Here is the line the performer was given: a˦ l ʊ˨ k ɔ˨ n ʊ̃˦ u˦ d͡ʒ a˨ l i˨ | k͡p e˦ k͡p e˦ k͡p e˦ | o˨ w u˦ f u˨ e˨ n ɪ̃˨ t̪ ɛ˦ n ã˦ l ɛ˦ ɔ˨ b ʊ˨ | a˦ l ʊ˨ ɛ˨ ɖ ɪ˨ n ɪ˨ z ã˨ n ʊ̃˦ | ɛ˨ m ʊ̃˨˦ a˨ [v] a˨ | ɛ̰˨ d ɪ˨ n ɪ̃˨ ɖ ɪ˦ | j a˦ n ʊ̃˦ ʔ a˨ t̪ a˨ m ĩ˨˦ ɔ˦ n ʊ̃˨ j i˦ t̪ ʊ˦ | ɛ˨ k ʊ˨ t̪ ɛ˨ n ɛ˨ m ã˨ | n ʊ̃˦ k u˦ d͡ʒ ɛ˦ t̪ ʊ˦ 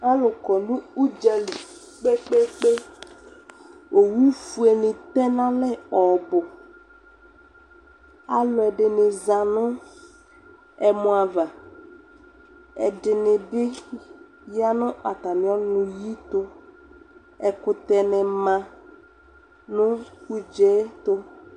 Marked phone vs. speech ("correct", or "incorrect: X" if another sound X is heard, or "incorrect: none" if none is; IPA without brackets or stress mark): correct